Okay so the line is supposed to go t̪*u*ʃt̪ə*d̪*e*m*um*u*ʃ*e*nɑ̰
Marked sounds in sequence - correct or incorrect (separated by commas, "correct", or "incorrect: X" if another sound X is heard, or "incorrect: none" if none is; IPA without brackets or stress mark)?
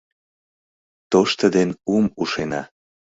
incorrect: o, correct, incorrect: n, correct, correct